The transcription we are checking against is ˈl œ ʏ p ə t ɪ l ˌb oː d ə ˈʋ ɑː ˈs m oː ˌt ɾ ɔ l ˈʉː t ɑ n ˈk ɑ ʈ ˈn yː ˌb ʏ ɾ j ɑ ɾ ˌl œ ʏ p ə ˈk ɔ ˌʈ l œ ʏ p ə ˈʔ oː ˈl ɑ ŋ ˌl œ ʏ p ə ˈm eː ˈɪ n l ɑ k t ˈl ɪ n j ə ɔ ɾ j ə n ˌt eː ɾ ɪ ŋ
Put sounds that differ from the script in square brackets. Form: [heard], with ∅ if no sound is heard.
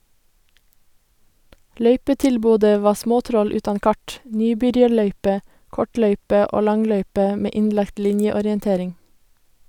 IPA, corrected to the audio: ˈl œ ʏ p ə t ɪ l ˌb oː d ə ˈʋ ɑː ˈs m oː ˌt ɾ ɔ l ˈʉː t ɑ n ˈk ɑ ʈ ˈn yː ˌb ʏ ɾ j ɑ ɾ [ˌɭ] œ ʏ p ə ˈk ɔ ˌʈ l œ ʏ p ə ˈʔ oː ˈl ɑ ŋ ˌl œ ʏ p ə ˈm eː ˈɪ n l ɑ k t ˈl ɪ n j ə ɔ ɾ j ə n ˌt eː ɾ ɪ ŋ